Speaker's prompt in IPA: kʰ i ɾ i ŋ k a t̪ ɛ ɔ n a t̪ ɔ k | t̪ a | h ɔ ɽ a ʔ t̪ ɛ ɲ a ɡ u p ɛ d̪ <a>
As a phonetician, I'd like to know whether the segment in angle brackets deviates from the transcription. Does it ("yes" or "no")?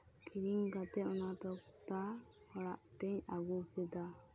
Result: no